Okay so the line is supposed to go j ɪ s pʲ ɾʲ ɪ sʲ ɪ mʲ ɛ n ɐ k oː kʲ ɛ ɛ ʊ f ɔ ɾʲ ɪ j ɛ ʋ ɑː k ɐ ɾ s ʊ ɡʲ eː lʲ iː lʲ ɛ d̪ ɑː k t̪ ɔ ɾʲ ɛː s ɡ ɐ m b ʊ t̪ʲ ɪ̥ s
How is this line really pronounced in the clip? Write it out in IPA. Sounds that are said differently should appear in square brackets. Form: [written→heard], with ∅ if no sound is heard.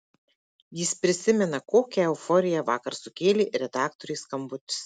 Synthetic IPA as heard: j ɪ s pʲ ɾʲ ɪ sʲ ɪ mʲ ɛ n ɐ k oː kʲ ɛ ɛ ʊ f ɔ ɾʲ ɪ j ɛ ʋ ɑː k ɐ ɾ s ʊ [ɡʲ→kʲ] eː lʲ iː [lʲ→ɾʲ] ɛ d̪ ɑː k t̪ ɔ ɾʲ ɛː s [ɡ→k] ɐ m b ʊ t̪ʲ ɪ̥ s